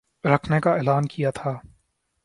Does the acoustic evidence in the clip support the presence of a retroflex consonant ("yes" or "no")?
no